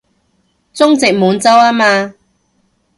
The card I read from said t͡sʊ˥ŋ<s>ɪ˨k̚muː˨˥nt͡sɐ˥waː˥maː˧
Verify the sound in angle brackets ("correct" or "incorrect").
incorrect